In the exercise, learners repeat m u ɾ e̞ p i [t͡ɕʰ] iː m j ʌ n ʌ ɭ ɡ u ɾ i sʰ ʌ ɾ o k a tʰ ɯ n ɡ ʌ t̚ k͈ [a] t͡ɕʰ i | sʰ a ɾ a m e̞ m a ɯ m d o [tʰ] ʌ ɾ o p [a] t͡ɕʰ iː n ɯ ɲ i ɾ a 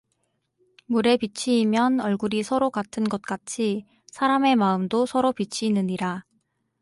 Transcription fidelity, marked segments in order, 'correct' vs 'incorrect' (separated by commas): correct, correct, incorrect, incorrect